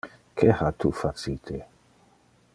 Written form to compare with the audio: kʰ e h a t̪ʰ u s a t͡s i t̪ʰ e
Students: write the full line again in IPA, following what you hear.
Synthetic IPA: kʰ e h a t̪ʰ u f a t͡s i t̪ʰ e